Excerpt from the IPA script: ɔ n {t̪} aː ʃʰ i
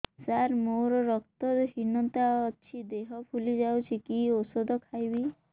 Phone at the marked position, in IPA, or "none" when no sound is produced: t̪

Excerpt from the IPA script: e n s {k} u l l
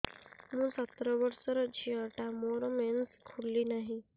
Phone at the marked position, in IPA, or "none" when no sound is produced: kʰ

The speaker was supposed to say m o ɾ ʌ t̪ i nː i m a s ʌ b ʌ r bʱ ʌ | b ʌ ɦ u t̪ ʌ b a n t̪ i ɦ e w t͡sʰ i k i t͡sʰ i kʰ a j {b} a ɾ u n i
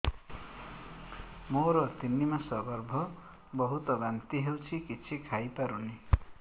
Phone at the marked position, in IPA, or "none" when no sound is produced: p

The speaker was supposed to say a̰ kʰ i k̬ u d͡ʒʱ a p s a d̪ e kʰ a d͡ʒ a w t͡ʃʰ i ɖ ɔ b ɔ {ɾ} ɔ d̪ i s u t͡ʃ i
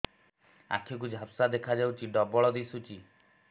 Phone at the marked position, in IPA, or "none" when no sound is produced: ɭ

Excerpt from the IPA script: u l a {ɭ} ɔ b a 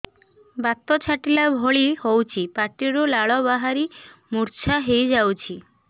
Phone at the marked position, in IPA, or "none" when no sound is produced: ɭ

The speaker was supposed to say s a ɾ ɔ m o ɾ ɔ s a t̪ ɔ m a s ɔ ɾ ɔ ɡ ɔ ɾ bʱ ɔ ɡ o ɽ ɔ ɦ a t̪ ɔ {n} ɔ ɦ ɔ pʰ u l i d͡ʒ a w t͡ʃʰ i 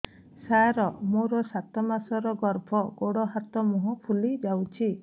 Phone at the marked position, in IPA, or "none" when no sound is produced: m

